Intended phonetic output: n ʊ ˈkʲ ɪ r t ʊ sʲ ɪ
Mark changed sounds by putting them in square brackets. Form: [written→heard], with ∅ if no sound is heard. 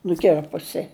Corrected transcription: n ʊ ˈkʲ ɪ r [t→p] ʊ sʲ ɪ